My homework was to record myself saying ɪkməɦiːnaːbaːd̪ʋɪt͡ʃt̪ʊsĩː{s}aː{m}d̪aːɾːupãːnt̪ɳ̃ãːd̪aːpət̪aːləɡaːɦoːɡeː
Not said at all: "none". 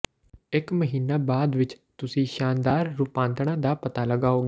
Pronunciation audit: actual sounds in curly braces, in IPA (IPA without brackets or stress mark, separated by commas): ʃ, n